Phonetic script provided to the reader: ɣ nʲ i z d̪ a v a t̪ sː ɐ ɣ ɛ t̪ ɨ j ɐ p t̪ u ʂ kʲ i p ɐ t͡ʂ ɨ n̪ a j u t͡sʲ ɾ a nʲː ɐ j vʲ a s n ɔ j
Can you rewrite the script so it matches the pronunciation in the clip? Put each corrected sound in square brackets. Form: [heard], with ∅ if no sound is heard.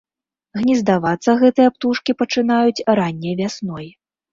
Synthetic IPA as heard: ɣ nʲ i z d̪ a v a t̪ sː ɐ ɣ ɛ t̪ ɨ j ɐ p t̪ u ʂ kʲ i p ɐ t͡ʂ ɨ n̪ a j u t͡sʲ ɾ a nʲː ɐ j vʲ a s n ɔ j